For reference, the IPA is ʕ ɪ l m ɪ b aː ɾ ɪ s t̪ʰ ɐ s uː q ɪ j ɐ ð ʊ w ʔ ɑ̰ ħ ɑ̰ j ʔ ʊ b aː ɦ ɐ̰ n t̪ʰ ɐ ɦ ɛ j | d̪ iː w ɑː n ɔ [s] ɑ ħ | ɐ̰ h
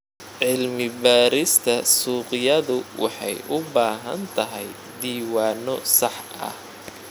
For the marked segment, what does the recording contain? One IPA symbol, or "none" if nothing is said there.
s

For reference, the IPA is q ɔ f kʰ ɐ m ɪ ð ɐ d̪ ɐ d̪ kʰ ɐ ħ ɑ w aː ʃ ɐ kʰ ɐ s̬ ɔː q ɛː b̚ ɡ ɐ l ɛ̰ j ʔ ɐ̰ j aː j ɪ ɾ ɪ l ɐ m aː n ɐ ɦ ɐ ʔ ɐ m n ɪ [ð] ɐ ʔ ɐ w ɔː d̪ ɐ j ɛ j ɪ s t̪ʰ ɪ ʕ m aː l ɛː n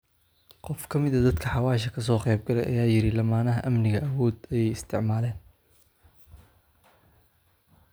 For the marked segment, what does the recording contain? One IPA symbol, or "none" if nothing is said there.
ɣ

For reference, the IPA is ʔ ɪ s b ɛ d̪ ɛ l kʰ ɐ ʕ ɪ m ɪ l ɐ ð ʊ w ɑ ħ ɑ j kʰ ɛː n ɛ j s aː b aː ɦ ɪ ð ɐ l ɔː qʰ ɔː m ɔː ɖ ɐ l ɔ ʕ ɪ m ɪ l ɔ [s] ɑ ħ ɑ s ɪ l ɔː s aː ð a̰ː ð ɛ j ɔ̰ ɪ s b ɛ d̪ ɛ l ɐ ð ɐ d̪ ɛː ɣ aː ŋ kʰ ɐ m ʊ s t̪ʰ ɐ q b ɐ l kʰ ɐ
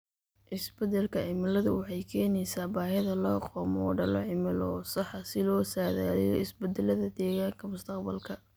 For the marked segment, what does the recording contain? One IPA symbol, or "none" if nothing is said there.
s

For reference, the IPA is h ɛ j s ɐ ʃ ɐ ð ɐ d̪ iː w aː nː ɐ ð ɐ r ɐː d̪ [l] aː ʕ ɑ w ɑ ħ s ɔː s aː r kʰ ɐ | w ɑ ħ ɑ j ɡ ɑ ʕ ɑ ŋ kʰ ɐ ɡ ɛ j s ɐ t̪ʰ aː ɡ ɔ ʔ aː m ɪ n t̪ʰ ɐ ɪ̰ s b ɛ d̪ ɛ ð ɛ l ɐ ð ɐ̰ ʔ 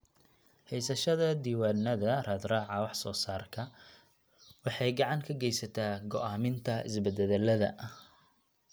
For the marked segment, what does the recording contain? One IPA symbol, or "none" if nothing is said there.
r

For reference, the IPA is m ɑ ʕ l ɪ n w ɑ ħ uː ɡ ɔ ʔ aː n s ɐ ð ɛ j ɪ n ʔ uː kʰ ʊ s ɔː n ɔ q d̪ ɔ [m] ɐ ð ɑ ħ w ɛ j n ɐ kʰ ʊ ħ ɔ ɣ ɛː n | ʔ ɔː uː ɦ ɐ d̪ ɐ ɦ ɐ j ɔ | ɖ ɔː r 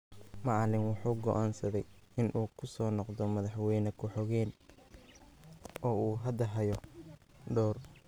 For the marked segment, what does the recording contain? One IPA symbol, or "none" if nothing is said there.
m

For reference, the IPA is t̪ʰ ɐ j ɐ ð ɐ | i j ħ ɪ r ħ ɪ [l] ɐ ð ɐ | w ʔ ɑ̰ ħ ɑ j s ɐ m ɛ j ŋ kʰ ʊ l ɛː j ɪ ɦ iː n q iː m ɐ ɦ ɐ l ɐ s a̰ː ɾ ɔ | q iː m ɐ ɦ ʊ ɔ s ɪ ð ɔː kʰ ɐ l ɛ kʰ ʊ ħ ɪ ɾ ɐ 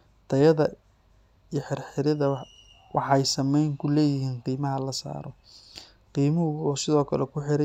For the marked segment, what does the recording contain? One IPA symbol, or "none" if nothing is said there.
ɾ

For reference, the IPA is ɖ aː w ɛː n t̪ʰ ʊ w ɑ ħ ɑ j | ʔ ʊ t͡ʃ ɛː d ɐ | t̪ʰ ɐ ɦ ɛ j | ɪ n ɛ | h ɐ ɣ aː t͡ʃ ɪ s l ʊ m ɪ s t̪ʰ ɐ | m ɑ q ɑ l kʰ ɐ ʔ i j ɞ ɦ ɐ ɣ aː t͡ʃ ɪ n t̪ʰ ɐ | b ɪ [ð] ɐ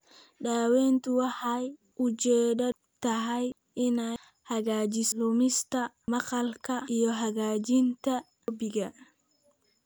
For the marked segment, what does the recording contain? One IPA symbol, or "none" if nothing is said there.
ɣ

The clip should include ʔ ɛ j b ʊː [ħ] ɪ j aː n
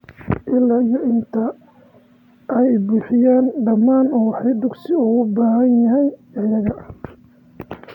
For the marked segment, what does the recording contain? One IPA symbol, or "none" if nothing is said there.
ħ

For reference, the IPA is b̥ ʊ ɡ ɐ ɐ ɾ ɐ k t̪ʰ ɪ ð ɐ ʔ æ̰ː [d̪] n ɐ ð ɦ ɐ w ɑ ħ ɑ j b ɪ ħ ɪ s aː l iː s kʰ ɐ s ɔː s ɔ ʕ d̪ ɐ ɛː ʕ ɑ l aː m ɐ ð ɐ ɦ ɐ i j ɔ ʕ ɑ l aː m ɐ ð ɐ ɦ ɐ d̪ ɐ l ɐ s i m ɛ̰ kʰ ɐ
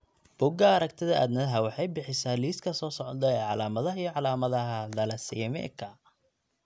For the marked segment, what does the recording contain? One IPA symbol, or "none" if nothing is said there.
d̪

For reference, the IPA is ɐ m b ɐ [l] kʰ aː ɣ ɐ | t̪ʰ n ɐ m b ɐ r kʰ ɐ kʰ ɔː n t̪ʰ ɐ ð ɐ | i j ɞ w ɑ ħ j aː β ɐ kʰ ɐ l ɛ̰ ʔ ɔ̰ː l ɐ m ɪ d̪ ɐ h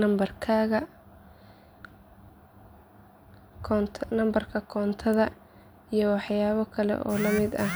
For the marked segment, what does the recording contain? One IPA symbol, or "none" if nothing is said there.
r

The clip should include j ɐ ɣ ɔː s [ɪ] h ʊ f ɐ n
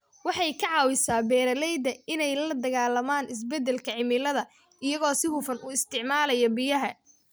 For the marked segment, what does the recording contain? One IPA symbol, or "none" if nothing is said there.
ɪ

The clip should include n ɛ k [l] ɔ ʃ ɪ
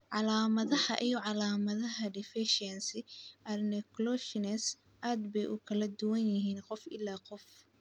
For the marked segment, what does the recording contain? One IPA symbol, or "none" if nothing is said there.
l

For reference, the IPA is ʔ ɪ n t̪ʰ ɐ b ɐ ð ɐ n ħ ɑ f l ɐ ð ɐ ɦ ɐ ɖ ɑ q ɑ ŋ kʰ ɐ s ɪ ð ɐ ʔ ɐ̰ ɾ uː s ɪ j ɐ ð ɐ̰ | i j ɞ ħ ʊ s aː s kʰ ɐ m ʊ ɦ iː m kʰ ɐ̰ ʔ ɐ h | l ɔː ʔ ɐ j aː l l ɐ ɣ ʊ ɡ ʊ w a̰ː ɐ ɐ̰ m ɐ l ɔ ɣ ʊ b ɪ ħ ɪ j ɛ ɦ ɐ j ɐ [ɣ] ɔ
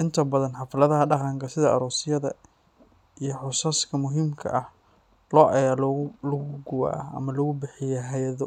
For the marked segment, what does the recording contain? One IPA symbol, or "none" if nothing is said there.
ð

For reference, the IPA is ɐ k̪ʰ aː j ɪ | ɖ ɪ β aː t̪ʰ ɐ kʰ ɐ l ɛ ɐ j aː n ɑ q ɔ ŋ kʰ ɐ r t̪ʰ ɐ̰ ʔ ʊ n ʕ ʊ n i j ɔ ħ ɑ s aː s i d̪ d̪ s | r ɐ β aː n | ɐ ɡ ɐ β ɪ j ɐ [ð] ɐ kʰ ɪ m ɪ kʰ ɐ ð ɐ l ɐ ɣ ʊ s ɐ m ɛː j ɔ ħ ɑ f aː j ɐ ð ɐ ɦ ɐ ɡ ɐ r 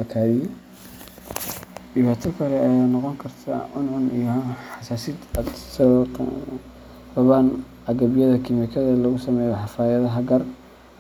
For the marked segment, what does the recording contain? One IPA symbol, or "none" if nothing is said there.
ð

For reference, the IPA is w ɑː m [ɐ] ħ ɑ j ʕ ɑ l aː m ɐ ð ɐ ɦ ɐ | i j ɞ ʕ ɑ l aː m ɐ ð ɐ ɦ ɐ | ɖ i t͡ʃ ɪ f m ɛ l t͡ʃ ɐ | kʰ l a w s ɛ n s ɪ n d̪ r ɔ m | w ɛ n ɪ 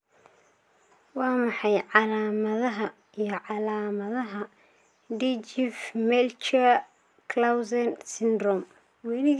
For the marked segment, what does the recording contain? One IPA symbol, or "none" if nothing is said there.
ɑ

